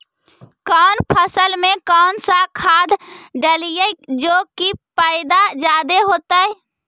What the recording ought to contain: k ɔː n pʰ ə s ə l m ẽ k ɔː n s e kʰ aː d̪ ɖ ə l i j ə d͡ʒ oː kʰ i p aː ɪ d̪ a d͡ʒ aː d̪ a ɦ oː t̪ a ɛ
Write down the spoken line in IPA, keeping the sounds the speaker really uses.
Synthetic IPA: k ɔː n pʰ ə s ə l m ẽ k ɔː n s a kʰ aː d̪ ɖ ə l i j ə d͡ʒ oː k i p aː ɪ d̪ a d͡ʒ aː d̪ e ɦ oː t̪ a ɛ